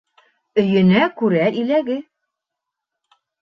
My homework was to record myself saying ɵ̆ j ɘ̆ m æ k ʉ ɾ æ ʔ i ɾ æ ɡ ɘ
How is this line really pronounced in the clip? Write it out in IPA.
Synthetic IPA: ɵ̆ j ɘ̆ n æ k ʉ ɾ æ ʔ i l æ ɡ ɘ